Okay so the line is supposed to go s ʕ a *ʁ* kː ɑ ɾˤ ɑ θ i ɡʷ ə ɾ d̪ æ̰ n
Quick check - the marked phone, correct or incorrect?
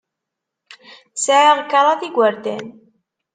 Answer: correct